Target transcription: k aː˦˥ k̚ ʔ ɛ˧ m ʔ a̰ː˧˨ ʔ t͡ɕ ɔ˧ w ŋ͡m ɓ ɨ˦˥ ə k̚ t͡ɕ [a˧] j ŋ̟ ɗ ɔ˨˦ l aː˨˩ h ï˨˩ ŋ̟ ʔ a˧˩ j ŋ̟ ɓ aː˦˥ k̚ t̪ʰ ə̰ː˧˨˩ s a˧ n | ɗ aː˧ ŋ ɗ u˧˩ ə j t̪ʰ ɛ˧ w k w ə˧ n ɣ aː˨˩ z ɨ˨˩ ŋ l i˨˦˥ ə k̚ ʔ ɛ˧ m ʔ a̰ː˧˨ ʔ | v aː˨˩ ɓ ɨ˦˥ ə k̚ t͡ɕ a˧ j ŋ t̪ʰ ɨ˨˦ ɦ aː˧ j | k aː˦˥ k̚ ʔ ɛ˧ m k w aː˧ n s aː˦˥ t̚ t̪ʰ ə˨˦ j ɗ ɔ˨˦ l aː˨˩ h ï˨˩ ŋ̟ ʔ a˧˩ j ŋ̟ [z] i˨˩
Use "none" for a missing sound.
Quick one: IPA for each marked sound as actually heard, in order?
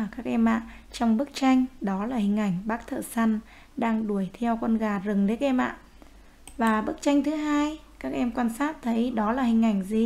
a˧, z

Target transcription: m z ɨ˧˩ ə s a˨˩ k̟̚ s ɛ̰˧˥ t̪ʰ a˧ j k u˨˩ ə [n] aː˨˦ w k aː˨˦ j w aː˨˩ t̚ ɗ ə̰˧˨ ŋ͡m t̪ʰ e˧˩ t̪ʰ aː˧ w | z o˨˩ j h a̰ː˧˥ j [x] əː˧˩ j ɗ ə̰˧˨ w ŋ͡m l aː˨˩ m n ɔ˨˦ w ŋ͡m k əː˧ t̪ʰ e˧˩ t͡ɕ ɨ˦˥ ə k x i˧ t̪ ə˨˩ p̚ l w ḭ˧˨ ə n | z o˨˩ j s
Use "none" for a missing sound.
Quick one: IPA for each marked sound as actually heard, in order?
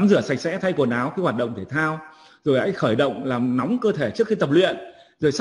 n, x

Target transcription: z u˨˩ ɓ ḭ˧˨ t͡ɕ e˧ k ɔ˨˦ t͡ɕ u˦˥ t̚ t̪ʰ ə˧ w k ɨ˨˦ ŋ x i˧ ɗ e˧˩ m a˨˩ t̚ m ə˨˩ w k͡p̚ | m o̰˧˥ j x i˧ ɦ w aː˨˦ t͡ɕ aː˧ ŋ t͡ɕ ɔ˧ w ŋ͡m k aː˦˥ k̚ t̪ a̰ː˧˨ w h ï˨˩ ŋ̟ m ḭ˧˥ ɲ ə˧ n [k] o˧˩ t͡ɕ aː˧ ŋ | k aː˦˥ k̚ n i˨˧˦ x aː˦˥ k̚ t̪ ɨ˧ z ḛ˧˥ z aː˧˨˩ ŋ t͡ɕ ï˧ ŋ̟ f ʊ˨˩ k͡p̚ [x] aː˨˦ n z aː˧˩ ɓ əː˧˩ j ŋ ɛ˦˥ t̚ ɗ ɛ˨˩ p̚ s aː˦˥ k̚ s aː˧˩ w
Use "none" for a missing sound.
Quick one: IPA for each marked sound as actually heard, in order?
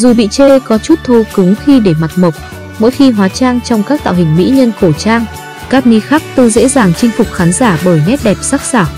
k, x

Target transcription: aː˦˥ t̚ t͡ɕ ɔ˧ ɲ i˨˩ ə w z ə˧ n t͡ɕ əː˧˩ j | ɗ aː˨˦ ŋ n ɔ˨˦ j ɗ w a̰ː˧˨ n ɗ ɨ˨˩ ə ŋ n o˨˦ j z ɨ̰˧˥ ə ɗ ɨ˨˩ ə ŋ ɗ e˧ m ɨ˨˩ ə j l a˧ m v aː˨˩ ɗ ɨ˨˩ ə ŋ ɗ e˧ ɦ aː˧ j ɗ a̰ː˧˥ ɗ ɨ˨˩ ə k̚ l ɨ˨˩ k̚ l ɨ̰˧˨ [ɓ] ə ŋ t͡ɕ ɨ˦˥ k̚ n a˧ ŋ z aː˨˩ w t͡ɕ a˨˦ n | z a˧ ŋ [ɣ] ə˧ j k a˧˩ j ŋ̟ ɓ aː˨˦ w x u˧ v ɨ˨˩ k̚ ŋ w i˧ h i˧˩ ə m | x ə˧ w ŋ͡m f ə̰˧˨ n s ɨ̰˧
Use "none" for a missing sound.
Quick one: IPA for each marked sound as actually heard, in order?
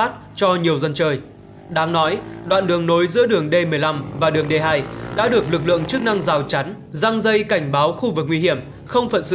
none, z

